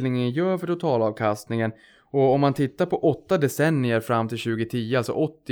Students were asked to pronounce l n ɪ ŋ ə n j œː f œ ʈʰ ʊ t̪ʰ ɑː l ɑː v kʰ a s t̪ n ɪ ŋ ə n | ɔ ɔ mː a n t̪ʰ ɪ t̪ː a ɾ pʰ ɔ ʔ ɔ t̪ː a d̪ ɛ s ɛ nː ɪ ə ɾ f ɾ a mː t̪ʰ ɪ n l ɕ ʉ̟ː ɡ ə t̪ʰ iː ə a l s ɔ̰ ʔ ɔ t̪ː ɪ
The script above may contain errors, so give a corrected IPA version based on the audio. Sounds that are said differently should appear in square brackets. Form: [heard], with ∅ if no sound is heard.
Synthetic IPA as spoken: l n ɪ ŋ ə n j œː f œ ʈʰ ʊ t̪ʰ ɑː l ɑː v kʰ a s t̪ n ɪ ŋ ə n | ɔ ɔ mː a n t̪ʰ ɪ t̪ː a ɾ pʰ ɔ ʔ ɔ t̪ː a d̪ ɛ s ɛ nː ɪ ə ɾ f ɾ a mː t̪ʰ ɪ [∅] l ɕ ʉ̟ː ɡ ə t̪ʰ iː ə a l s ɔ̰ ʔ ɔ t̪ː ɪ